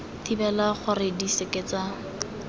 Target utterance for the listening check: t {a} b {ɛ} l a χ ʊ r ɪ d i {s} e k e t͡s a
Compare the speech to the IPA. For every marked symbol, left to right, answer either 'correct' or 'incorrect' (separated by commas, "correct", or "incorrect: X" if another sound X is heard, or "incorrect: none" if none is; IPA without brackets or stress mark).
incorrect: i, correct, correct